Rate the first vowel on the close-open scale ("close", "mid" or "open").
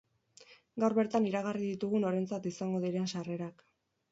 open